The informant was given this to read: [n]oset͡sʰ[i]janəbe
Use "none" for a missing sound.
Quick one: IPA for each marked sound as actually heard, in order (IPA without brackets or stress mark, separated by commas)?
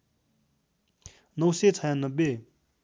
n, a